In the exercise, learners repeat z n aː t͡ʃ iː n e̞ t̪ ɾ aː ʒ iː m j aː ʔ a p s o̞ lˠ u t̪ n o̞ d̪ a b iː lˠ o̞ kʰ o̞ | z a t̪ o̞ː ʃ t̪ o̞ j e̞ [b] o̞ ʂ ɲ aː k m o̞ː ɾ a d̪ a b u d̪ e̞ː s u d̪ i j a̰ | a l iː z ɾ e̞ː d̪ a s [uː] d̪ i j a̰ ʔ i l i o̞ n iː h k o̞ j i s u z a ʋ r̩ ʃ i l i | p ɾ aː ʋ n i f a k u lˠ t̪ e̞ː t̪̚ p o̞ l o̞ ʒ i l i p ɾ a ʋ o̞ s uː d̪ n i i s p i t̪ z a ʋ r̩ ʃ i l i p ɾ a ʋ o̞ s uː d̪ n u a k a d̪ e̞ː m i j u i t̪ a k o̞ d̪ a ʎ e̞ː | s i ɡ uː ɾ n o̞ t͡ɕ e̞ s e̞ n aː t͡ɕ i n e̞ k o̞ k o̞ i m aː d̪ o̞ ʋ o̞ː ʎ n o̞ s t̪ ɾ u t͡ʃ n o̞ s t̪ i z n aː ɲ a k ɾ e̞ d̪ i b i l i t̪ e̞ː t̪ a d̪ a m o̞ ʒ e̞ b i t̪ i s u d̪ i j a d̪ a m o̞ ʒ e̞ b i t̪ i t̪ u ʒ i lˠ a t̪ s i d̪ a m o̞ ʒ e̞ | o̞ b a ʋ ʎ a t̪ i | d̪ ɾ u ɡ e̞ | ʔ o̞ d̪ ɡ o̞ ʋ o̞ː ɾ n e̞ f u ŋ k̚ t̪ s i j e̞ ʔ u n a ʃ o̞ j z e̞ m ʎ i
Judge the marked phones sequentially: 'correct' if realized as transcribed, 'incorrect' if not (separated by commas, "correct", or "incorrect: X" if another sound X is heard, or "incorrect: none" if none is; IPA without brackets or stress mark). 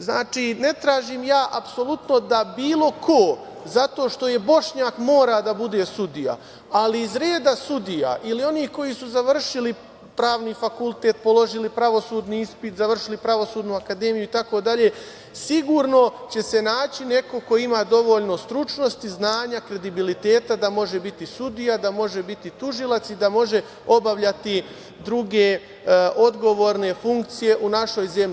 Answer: correct, incorrect: u